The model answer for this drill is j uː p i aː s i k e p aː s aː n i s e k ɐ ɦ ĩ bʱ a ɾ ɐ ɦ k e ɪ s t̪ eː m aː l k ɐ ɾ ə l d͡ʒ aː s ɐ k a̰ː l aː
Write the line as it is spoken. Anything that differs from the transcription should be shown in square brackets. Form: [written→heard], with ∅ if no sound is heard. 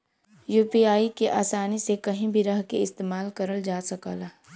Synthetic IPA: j uː p i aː [s→∅] i k e [p→ʔ] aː s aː n i s e k ɐ ɦ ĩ bʱ [a→i] ɾ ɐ ɦ k e ɪ s t̪ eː m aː l k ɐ ɾ ə l d͡ʒ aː s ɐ k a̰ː l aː